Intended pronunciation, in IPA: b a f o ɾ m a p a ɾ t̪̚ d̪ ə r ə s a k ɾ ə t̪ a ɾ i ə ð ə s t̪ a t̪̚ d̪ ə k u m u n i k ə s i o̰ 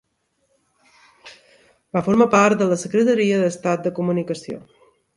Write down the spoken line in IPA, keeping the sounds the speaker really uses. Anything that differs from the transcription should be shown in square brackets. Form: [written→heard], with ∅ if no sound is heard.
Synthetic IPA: b a f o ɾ m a p a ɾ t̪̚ d̪ ə [r→l] ə s [a→ə] k ɾ ə t̪ [a→ə] ɾ i ə ð ə s t̪ a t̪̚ d̪ ə k u m u n i k ə s i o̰